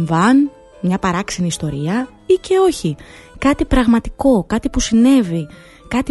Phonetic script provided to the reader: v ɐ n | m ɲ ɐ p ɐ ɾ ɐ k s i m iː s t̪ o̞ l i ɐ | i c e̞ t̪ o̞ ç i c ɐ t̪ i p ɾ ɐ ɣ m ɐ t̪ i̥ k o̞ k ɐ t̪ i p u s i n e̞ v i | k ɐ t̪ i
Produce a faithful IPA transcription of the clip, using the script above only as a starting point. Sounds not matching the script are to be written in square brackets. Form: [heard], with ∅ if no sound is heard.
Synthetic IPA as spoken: v ɐ n | m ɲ ɐ p ɐ ɾ ɐ k s i [n] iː s t̪ o̞ [ɾ] i ɐ | i c e̞ [∅] o̞ ç i [k] ɐ t̪ i p ɾ ɐ ɣ m ɐ t̪ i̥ k o̞ k ɐ t̪ i p u s i n e̞ v i | k ɐ t̪ i